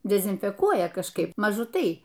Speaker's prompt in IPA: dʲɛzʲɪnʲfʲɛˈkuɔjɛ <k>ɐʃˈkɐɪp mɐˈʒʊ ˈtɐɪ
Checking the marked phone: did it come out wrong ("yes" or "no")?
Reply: no